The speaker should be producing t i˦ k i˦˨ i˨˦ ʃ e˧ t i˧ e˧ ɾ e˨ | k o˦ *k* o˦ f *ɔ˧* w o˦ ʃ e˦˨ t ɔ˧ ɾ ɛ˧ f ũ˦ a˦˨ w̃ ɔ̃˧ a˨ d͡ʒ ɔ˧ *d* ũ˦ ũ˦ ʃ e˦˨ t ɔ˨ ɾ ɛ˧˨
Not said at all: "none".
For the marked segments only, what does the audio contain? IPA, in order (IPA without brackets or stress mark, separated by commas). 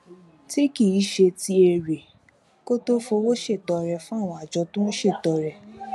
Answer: t, o˧, t